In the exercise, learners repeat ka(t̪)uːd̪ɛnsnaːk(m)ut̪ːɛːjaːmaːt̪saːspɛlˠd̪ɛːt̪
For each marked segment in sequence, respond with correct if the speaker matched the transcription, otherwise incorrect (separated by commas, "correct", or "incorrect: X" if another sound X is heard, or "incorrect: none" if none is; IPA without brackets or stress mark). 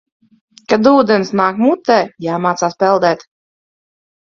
incorrect: d̪, correct